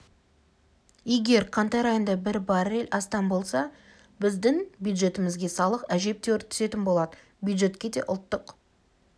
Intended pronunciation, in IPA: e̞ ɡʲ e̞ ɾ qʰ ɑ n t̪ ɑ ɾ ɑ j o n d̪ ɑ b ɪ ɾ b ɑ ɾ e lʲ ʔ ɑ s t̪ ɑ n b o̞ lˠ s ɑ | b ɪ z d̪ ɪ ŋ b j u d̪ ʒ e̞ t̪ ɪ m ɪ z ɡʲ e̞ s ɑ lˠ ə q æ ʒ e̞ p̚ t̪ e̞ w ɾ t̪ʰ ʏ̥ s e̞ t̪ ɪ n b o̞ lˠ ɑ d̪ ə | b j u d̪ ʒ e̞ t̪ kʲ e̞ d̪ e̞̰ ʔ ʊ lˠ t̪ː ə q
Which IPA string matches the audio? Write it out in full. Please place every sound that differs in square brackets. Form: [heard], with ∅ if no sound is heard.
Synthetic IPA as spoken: e̞ ɡʲ e̞ ɾ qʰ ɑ n t̪ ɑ ɾ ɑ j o n d̪ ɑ b ɪ ɾ b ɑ ɾ e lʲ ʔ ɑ s t̪ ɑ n b o̞ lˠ s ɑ | b ɪ z d̪ ɪ ŋ b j u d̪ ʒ e̞ t̪ ɪ m ɪ z ɡʲ e̞ s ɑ lˠ ə q æ ʒ e̞ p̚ t̪ e̞ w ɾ t̪ʰ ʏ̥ s e̞ t̪ ɪ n b o̞ lˠ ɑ d̪ ə | b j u d̪ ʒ e̞ t̪ kʲ e̞ d̪ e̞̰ ʔ ʊ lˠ t̪ː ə q